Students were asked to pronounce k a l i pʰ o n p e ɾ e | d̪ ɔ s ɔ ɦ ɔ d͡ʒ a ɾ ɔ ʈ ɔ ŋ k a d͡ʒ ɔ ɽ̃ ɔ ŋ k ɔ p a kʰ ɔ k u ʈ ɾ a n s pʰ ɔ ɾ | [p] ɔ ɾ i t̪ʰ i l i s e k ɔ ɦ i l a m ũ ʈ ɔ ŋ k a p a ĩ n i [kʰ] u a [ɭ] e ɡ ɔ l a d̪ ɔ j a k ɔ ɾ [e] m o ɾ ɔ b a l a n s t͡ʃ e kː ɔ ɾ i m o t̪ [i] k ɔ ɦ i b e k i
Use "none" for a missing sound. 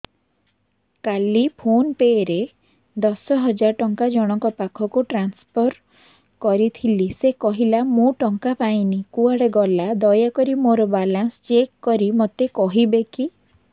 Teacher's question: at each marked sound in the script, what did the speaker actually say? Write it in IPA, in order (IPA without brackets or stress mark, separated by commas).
k, k, ɽ, i, e